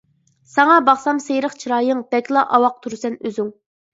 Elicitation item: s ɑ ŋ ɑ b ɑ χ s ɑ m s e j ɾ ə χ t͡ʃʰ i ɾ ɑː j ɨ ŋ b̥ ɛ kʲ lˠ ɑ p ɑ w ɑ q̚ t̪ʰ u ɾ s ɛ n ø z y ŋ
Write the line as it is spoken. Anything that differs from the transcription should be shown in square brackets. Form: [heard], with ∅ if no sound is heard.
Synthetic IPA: s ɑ ŋ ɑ b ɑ χ s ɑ m s e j ɾ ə χ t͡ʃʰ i ɾ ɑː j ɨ ŋ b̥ ɛ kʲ lˠ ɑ [ʔ] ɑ w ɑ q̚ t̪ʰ u ɾ s ɛ n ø z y ŋ